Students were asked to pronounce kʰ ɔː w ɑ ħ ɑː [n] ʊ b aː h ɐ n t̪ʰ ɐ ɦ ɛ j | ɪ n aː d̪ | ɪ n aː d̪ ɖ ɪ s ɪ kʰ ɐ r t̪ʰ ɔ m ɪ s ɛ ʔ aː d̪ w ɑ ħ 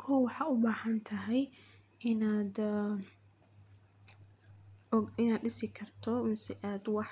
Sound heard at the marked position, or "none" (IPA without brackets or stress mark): none